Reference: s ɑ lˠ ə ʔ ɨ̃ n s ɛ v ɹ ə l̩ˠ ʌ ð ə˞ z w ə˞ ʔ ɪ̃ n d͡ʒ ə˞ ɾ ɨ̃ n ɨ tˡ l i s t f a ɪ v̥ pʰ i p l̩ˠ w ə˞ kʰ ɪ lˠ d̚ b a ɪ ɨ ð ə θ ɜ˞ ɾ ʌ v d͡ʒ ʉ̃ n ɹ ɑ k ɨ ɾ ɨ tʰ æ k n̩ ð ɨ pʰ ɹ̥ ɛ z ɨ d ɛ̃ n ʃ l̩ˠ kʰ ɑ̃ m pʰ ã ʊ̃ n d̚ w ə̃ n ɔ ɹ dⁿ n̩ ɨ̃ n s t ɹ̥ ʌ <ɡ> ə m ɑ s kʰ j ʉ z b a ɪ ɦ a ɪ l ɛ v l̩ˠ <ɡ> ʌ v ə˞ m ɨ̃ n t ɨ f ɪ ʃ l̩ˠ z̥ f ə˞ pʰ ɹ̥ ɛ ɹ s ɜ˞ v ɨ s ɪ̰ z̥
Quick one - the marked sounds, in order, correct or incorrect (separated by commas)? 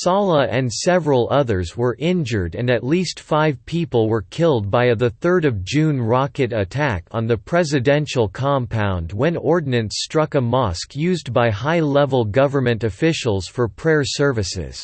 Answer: incorrect, correct